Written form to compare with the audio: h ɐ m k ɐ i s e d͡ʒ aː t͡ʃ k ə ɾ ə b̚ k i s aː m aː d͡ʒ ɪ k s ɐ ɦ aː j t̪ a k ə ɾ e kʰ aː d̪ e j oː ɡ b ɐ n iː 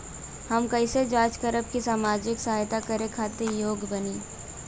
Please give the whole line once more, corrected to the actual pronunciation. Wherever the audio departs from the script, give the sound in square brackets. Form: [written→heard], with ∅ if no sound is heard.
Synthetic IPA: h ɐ m k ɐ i s e d͡ʒ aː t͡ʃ k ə ɾ ə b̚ k i s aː m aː d͡ʒ ɪ k s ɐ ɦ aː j t̪ a k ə ɾ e kʰ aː [d̪→t̪] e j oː ɡ b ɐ n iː